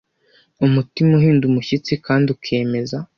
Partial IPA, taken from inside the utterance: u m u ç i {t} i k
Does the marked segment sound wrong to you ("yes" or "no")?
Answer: yes